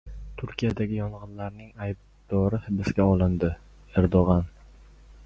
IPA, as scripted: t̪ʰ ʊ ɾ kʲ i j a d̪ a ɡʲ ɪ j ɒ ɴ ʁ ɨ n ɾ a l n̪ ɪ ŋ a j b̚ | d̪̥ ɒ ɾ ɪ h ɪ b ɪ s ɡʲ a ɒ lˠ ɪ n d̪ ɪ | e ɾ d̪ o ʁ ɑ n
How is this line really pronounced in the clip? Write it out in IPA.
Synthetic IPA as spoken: t̪ʰ ʊ ɾ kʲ i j a d̪ a ɡʲ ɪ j ɒ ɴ ʁ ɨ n l a ɾ n̪ ɪ ŋ a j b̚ | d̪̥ ɒ ɾ ɪ h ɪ b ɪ s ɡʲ a ɒ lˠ ɪ n d̪ ɪ | e ɾ d̪ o ʁ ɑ n